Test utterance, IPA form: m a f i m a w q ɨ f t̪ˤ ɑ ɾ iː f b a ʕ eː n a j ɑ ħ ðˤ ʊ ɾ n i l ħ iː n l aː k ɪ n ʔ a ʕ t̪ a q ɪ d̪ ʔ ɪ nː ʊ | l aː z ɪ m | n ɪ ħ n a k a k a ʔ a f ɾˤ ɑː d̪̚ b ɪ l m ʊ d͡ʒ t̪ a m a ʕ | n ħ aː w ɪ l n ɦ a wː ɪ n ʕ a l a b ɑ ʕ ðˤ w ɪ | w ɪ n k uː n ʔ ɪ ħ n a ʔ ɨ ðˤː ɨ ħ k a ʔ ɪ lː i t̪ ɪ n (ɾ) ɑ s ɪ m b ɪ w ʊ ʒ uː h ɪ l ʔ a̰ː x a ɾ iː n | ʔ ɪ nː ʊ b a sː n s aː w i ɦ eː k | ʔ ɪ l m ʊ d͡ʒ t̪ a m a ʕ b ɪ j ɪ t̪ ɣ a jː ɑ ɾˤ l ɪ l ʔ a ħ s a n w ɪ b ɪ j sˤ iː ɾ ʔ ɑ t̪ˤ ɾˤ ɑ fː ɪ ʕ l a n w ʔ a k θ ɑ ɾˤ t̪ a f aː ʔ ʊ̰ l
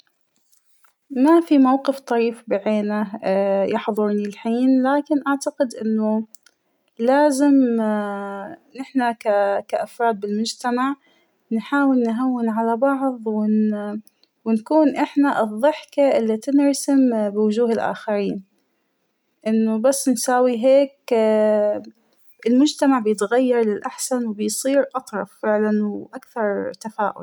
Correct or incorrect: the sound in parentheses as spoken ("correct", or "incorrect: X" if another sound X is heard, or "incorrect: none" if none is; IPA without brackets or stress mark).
correct